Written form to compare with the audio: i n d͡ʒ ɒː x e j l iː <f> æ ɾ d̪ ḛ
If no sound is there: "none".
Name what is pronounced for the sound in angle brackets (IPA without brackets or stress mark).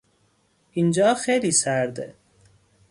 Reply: s